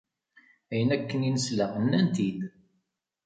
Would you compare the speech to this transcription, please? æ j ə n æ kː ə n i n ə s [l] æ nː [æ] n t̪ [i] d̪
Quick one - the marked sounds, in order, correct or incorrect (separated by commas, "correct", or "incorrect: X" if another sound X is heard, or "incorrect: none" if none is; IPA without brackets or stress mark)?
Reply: correct, correct, correct